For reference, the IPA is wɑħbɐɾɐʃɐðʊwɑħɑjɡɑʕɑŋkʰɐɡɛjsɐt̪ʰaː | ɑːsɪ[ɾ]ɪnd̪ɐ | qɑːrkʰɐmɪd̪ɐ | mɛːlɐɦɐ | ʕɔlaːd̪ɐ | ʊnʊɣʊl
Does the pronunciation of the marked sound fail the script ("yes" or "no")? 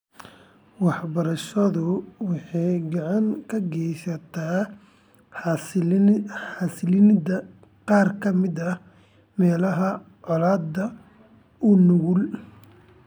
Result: yes